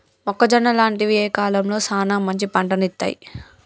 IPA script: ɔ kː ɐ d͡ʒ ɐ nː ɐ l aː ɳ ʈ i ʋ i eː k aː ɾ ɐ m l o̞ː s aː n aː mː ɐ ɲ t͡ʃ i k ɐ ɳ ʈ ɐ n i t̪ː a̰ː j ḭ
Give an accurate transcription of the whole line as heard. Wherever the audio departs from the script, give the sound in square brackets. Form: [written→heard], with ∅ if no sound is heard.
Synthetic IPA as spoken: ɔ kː ɐ d͡ʒ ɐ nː ɐ l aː ɳ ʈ i ʋ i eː k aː [ɾ→l] ɐ m l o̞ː s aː n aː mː ɐ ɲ t͡ʃ i [k→p] ɐ ɳ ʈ ɐ n i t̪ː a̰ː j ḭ